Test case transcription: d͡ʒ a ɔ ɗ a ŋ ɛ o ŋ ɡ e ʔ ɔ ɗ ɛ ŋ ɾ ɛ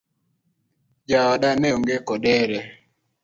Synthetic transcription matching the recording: d͡ʒ a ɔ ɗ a n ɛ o ŋ ɡ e k ɔ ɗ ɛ ɾ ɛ